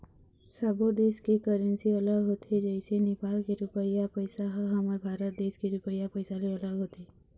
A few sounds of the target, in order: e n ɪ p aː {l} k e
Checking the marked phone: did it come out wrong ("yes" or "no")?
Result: no